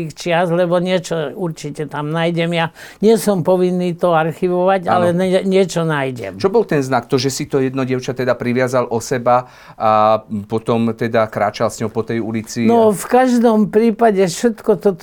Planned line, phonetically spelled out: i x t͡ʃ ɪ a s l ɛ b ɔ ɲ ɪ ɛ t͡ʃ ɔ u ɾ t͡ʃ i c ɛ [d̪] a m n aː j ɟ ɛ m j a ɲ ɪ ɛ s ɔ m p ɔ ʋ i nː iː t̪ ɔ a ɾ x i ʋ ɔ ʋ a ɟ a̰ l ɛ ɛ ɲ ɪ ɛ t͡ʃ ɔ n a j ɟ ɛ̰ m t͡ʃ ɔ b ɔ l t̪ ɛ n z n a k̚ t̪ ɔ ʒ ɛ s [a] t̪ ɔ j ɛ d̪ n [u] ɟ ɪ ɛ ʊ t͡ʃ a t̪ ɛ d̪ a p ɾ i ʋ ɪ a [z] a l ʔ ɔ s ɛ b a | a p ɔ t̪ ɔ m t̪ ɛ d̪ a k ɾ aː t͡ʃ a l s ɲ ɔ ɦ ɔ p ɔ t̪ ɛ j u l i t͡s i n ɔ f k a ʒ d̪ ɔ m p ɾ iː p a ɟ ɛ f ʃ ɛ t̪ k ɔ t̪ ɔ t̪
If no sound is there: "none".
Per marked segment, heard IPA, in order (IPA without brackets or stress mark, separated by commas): t̪, i, ɔ, z